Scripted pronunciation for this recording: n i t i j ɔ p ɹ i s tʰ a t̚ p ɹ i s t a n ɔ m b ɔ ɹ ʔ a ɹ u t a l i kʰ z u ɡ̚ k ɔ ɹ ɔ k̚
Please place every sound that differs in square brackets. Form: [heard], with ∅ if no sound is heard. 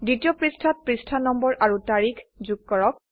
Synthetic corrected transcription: [d] i t i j ɔ p ɹ i s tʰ a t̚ p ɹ i s [tʰ] a n ɔ m b ɔ ɹ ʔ a ɹ u t a [ɹ] i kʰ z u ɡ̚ k ɔ ɹ ɔ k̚